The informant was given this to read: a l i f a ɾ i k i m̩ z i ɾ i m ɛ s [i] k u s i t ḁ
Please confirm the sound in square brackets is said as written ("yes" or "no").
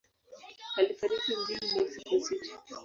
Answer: yes